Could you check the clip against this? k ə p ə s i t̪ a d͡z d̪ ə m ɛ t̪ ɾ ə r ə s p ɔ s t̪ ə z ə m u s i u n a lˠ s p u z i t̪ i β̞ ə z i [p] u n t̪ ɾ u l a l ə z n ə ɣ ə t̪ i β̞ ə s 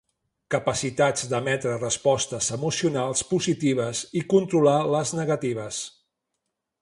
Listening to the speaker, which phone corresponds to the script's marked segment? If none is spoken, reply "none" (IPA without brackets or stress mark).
k